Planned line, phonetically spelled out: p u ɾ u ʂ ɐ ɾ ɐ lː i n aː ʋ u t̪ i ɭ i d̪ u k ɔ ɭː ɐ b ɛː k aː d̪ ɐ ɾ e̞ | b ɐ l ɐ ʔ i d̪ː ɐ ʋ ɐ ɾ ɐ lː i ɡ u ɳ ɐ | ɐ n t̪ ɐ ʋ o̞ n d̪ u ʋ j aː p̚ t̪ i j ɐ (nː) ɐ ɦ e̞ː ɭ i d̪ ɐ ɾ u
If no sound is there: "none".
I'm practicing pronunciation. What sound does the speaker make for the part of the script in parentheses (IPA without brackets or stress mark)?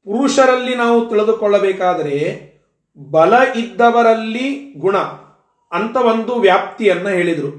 nː